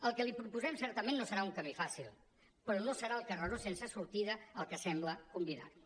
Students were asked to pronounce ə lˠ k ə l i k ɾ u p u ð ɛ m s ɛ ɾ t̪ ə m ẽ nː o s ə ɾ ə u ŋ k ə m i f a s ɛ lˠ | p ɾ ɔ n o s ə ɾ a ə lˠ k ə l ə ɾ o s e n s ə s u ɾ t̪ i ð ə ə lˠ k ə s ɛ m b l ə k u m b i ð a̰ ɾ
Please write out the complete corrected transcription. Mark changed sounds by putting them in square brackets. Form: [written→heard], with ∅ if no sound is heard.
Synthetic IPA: ə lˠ k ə l i [k→p] ɾ u p u [ð→z] ɛ m s ɛ ɾ t̪ ə m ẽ nː o s ə ɾ [ə→a] u ŋ k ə m i f a s [ɛ→i] lˠ | p ɾ ɔ n o s ə ɾ a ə lˠ k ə [l→r] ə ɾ o s e n s ə s u ɾ t̪ i ð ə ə lˠ k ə s ɛ m b l ə k u m b i ð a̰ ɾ